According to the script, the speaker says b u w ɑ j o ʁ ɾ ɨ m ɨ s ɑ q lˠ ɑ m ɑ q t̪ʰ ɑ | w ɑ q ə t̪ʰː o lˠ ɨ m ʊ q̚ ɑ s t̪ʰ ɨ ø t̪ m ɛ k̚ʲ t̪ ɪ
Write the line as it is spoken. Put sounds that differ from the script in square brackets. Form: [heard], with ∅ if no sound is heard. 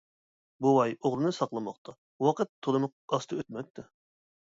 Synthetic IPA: b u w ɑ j o ʁ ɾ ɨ [n] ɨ s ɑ q lˠ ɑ m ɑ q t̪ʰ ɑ | w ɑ q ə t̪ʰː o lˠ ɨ m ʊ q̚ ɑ s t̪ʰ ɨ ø t̪ m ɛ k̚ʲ t̪ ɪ